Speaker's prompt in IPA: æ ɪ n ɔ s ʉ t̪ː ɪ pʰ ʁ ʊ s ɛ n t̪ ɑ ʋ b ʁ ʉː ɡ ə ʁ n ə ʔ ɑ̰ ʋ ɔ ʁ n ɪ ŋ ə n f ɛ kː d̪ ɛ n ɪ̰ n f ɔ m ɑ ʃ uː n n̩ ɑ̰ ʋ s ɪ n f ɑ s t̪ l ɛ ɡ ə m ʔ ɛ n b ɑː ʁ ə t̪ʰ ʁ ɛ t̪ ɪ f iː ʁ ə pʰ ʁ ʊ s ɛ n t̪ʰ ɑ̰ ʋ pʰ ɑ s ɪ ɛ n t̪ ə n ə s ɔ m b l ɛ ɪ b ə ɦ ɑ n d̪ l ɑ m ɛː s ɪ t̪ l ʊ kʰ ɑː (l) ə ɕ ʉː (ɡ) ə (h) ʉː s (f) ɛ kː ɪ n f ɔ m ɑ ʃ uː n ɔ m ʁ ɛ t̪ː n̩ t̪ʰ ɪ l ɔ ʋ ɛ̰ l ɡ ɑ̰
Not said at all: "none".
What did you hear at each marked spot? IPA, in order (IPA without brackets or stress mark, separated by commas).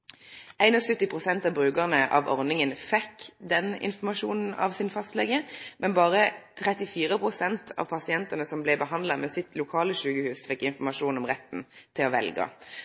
l, ɡ, h, f